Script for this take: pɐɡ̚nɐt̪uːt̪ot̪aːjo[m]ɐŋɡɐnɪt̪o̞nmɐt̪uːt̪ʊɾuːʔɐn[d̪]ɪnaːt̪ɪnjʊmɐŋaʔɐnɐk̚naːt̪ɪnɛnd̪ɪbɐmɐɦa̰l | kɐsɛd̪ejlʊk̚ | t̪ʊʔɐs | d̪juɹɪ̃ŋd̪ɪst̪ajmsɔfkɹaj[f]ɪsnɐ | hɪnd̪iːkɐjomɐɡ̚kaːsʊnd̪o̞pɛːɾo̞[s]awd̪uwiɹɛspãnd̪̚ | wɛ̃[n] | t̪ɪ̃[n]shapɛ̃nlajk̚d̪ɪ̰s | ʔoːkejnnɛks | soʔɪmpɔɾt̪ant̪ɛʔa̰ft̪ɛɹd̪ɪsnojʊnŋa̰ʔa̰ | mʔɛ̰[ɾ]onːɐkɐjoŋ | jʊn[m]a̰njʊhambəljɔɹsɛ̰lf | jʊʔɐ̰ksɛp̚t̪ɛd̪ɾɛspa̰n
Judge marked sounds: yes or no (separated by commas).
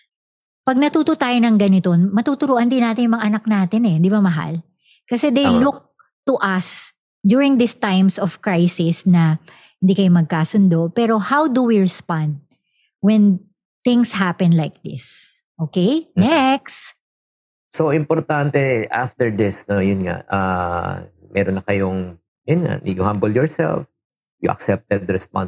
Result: no, yes, no, no, yes, no, yes, no